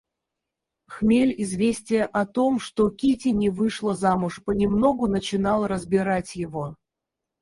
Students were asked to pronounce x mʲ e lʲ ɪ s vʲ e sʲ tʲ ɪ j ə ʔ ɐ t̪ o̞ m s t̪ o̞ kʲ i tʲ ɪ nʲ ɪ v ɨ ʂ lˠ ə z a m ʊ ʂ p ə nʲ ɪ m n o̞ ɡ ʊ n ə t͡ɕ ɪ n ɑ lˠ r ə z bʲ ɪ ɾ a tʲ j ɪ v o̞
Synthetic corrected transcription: x mʲ e lʲ ɪ z vʲ e sʲ tʲ ɪ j ə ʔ ɐ t̪ o̞ m ʂ t̪ o̞ kʲ i tʲ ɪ nʲ ɪ v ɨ ʂ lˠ ə z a m ʊ ʂ p ə nʲ ɪ m n o̞ ɡ ʊ n ə t͡ɕ ɪ n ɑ lˠ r ə z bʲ ɪ ɾ a tʲ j ɪ v o̞